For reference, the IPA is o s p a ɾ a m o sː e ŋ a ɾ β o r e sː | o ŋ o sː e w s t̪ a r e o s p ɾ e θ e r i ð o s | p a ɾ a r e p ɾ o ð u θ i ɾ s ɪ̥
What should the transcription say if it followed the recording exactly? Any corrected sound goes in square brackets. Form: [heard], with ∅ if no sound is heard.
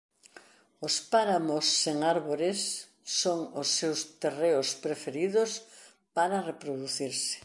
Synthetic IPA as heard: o s p a ɾ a m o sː e ŋ a ɾ β o [ɾ] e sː | o ŋ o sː e w s t̪ [e] r e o s p ɾ e [f] e [ɾ] i ð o s | p a ɾ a r e p ɾ o ð u θ i ɾ s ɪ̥